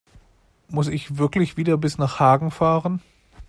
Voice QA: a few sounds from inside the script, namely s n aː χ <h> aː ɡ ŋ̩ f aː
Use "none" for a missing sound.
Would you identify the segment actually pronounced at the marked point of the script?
h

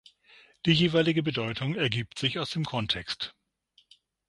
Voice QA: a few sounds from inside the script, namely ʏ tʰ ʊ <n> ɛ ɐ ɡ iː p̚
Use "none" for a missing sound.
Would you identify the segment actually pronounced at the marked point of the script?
ŋ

